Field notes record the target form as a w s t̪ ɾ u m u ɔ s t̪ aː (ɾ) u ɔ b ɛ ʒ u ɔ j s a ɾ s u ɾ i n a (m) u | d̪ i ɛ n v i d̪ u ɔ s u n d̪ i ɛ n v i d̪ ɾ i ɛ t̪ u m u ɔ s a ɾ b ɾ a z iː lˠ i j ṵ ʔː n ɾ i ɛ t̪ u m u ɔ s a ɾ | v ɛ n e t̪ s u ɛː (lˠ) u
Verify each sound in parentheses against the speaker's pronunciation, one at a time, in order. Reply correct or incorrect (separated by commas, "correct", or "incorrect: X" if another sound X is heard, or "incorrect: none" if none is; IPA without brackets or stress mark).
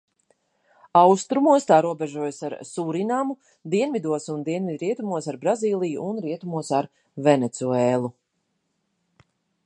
correct, correct, correct